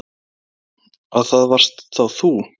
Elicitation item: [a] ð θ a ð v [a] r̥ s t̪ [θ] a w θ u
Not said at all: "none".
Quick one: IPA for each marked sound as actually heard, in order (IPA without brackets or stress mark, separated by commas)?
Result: a, a, θ